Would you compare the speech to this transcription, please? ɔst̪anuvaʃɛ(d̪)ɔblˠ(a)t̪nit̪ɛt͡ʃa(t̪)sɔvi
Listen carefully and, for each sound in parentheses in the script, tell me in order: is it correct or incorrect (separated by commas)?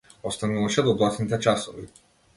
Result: correct, correct, incorrect